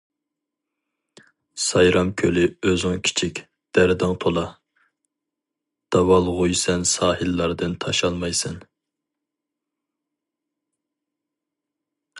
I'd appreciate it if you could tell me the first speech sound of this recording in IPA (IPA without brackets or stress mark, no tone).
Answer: s